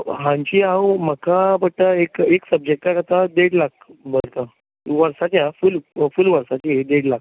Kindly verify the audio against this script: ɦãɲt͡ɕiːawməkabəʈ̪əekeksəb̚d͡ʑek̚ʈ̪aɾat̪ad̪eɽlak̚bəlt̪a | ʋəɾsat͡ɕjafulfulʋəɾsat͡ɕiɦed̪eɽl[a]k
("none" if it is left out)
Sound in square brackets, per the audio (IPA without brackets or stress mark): a